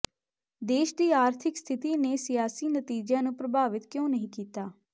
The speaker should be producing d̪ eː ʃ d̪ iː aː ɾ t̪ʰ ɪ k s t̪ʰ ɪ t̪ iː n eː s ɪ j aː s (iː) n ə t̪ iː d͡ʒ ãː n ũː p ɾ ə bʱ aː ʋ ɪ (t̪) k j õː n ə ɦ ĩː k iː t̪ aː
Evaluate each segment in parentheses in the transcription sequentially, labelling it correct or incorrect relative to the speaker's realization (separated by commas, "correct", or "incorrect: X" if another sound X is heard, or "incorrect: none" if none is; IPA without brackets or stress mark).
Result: correct, correct